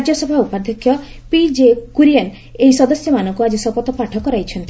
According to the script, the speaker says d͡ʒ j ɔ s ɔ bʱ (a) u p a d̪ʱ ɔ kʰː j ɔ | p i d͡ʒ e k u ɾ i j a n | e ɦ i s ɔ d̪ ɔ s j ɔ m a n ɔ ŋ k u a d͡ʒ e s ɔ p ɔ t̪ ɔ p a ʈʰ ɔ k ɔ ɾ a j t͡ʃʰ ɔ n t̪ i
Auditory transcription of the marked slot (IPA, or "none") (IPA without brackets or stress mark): a